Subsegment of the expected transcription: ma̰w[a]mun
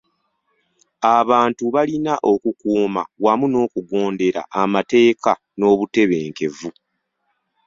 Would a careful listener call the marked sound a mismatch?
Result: no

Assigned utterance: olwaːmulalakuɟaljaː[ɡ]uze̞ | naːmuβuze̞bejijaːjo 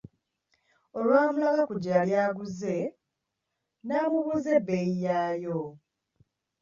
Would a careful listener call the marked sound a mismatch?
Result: no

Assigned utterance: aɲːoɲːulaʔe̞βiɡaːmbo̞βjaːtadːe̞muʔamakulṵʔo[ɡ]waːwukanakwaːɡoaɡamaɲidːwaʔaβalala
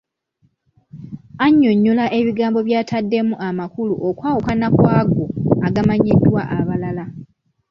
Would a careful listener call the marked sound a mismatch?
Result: yes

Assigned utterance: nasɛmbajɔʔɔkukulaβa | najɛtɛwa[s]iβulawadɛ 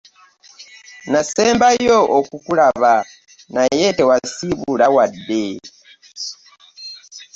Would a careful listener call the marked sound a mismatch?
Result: no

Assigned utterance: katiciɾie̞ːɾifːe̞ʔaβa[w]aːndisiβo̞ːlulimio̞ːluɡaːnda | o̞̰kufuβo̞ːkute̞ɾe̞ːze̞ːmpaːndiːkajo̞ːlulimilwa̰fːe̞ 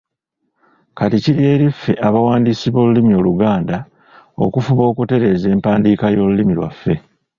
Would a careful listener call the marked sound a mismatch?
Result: no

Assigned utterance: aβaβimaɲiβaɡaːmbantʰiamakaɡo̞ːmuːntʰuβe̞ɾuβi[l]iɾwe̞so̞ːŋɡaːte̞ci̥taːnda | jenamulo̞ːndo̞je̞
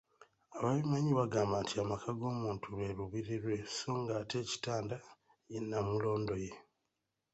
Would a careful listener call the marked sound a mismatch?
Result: yes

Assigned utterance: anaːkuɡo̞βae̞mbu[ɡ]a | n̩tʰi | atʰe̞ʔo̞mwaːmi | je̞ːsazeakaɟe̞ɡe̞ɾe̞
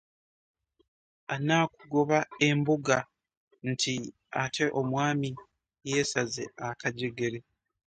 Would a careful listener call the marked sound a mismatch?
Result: no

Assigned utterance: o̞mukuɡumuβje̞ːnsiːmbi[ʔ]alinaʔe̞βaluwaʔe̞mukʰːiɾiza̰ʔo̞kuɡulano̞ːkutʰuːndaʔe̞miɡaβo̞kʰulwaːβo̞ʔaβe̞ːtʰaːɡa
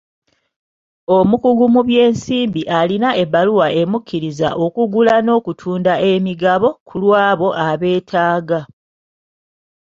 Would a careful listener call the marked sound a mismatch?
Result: no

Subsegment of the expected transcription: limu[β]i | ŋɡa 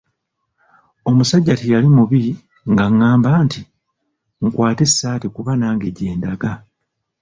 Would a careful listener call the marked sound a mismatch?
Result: no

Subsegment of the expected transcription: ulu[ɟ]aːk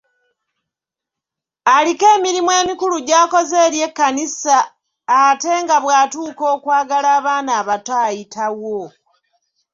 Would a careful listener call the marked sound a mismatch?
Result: no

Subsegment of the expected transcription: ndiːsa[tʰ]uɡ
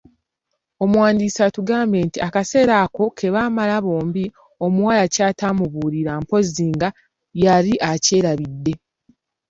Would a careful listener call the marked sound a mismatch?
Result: yes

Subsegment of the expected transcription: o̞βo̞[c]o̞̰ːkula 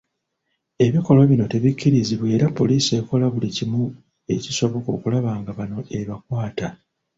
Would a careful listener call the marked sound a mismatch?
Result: yes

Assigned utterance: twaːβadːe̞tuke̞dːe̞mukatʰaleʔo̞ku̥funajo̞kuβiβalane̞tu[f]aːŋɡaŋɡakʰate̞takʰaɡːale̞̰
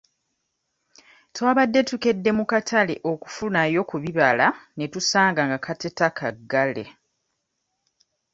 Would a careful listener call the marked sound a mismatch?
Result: yes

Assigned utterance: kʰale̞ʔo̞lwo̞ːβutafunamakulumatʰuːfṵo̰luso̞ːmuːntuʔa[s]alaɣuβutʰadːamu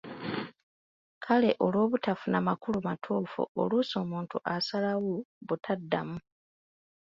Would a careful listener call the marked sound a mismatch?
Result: no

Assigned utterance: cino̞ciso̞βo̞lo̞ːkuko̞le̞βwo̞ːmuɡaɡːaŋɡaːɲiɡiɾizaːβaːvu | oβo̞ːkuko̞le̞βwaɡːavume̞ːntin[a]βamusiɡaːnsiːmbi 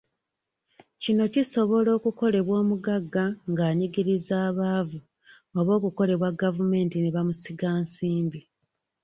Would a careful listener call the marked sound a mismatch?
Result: yes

